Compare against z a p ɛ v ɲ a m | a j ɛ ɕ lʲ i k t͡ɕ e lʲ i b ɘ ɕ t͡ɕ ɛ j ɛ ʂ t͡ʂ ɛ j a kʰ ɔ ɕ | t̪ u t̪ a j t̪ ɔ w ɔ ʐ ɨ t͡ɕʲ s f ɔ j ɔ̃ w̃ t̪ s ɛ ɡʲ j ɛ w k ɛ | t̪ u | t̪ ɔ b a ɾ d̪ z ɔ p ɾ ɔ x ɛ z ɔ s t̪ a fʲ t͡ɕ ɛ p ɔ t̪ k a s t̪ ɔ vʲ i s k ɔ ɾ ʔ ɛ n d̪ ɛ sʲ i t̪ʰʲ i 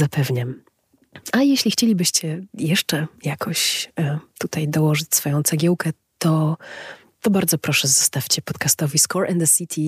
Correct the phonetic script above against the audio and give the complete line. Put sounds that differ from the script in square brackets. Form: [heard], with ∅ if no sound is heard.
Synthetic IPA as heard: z a p ɛ v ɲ a m | a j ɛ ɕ lʲ i [x] t͡ɕ e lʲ i b ɘ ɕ t͡ɕ ɛ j ɛ ʂ t͡ʂ ɛ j a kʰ ɔ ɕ | t̪ u t̪ a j [d̪] ɔ w ɔ ʐ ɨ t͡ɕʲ s f ɔ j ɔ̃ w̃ t̪ s ɛ ɡʲ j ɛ w k ɛ | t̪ [ɔ] | t̪ ɔ b a ɾ d̪ z ɔ p ɾ ɔ [ʂ] ɛ z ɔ s t̪ a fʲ t͡ɕ ɛ p ɔ t̪ k a s t̪ ɔ vʲ i s k ɔ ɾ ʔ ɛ n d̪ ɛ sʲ i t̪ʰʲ i